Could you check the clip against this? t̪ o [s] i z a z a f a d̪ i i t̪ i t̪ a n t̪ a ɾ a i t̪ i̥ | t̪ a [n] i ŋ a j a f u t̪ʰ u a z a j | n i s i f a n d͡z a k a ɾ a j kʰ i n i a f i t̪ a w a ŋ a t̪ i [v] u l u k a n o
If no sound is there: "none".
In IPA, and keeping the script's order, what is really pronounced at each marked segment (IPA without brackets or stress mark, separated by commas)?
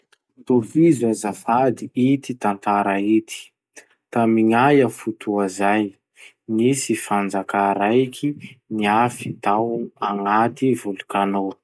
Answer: f, m, v